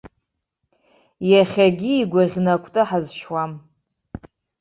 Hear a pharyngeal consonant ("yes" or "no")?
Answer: yes